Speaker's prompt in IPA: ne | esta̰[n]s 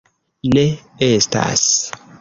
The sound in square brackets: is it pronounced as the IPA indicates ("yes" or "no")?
no